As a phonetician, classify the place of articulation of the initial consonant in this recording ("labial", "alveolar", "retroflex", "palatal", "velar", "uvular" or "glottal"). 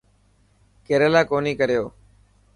velar